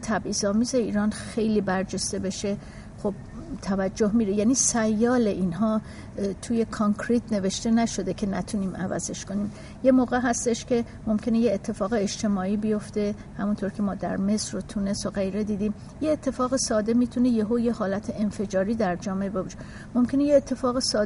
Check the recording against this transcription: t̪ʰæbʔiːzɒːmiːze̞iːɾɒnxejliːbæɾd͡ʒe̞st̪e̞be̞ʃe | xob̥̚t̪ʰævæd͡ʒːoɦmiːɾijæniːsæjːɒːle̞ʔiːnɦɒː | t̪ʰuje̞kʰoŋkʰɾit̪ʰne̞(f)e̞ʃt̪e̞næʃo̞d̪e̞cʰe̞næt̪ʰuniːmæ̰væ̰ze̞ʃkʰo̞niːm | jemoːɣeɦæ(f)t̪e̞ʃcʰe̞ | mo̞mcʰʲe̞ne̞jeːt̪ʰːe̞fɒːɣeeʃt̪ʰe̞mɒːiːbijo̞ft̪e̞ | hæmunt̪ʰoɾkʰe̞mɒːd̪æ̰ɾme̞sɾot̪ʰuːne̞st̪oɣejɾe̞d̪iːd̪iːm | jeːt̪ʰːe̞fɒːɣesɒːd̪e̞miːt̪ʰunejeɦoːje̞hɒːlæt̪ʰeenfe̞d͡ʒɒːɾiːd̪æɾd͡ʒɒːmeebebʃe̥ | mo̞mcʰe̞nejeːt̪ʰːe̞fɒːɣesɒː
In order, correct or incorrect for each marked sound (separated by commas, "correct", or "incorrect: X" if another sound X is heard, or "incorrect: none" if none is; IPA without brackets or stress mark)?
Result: incorrect: v, incorrect: s